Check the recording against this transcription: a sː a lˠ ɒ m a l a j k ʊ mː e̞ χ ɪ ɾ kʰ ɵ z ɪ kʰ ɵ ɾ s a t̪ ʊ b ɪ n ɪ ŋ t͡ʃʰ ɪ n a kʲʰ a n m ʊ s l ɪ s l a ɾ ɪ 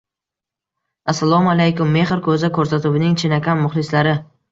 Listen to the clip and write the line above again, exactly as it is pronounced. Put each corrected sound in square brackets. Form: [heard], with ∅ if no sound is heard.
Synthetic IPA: a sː a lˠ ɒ m a l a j k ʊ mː e̞ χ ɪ ɾ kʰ ɵ z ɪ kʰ ɵ ɾ s a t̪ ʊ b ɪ n ɪ ŋ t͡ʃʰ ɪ n a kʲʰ a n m ʊ [χ] l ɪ s l a ɾ ɪ

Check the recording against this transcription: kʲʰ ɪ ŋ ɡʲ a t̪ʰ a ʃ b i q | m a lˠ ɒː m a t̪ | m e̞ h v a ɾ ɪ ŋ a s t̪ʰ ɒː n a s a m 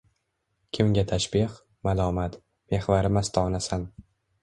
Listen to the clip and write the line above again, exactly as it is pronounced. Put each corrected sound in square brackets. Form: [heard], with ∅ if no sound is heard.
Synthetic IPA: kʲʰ ɪ [m] ɡʲ a t̪ʰ a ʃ b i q | m a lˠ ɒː m a t̪ | m e̞ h v a ɾ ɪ [m] a s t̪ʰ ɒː n a s a [n]

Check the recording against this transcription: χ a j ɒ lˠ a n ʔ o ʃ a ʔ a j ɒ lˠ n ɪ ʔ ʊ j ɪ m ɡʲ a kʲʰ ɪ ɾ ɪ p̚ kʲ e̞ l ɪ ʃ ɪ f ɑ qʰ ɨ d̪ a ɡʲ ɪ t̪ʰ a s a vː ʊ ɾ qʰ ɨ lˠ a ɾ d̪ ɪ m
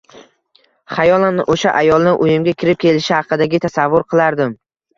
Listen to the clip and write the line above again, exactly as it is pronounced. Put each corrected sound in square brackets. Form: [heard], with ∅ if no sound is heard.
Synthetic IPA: χ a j ɒ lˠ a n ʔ o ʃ a ʔ a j ɒ lˠ n ɪ ʔ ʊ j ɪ m ɡʲ a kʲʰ ɪ ɾ ɪ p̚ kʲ e̞ l ɪ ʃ ɪ [h] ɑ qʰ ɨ d̪ a ɡʲ ɪ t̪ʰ a s a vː ʊ ɾ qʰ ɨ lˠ a ɾ d̪ ɪ m

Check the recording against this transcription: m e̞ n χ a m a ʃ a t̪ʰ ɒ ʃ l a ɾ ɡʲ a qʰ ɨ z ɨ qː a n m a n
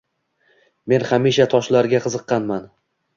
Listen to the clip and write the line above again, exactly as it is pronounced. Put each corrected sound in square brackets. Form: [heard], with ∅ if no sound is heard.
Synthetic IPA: m e̞ n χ a m [i] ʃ a t̪ʰ ɒ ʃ l a ɾ ɡʲ a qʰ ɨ z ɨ qː [ɑ] n m a n

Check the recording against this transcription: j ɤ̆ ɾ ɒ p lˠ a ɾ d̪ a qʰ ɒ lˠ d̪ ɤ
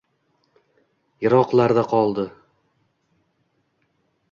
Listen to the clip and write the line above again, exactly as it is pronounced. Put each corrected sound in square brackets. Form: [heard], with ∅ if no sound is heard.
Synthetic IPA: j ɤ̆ ɾ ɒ [q] lˠ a ɾ d̪ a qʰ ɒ lˠ d̪ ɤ

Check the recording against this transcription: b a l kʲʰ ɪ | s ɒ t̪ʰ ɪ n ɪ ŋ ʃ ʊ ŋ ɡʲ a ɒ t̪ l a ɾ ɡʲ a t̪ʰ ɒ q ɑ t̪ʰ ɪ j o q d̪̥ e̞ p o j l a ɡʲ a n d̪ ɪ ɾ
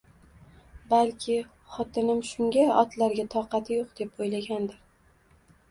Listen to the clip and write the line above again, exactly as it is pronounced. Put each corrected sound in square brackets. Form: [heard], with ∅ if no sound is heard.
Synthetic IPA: b a l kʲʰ ɪ | [χ] ɒ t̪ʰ ɪ n ɪ [m] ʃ ʊ ŋ ɡʲ a ɒ t̪ l a ɾ ɡʲ a t̪ʰ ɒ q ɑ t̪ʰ ɪ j o q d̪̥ e̞ p o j l a ɡʲ a n d̪ ɪ ɾ

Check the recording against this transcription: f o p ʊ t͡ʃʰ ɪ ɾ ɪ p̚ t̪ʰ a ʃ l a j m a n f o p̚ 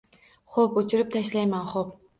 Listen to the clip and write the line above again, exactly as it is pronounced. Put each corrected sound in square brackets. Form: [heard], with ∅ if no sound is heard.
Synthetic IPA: [χ] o p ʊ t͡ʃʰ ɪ ɾ ɪ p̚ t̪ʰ a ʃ l a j m a n [χ] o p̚

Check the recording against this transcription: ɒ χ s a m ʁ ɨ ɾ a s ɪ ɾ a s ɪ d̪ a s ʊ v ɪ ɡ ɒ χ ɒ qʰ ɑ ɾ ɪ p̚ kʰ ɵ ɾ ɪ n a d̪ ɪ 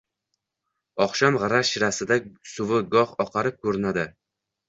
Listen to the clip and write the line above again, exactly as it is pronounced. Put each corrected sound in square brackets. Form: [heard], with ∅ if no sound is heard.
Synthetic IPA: ɒ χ [ʃ] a m ʁ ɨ ɾ a [ʃ] ɪ ɾ a s ɪ d̪ a s ʊ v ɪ ɡ ɒ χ ɒ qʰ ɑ ɾ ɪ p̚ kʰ ɵ ɾ ɪ n a d̪ ɪ

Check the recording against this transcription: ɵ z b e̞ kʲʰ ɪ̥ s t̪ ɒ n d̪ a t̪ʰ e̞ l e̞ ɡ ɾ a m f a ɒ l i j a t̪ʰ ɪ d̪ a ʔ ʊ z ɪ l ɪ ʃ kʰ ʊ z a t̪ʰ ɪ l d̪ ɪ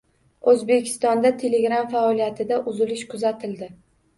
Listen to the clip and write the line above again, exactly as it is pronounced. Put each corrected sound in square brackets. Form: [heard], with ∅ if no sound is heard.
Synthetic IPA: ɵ z b e̞ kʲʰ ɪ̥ s t̪ ɒ n d̪ a t̪ʰ e̞ l e̞ ɡ ɾ a m f a ɒ l i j a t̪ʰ ɪ d̪ a ʔ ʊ z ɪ l ɪ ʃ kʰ ʊ z a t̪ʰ ɪ l d̪ ɪ

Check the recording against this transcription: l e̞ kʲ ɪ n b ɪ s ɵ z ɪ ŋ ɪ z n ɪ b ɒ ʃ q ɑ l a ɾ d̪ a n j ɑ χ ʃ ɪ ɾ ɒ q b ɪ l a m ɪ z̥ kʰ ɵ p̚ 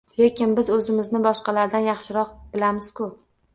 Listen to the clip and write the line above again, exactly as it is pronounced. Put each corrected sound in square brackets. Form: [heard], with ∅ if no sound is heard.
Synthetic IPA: l e̞ kʲ ɪ n b ɪ [z] ɵ z ɪ [m] ɪ z n ɪ b ɒ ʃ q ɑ l a ɾ d̪ a n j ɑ χ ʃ ɪ ɾ ɒ q b ɪ l a m ɪ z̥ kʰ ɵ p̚

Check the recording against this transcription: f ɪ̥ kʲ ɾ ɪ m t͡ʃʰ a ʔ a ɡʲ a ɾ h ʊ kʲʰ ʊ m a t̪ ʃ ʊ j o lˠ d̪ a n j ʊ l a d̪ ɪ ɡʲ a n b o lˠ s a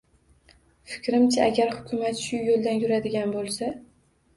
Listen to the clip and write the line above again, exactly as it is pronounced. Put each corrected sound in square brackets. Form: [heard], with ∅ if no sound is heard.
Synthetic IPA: f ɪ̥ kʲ ɾ ɪ m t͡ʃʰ a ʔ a ɡʲ a ɾ h ʊ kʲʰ ʊ m a t̪ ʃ ʊ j o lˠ d̪ a n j ʊ [ɾ] a d̪ ɪ ɡʲ a n b o lˠ s a

